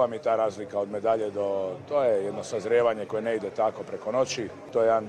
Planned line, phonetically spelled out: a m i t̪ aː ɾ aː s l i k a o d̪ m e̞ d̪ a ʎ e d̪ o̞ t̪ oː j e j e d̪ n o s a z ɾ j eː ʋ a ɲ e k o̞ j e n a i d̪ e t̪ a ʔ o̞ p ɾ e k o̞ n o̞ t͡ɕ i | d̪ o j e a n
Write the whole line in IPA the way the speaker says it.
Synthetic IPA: a m i t̪ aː ɾ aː z l i k a o d̪ m e̞ d̪ a ʎ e d̪ o̞ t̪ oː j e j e d̪ n o s a z ɾ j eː ʋ a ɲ e k o̞ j e n e i d̪ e t̪ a k o̞ p ɾ e k o̞ n o̞ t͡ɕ i | t̪ o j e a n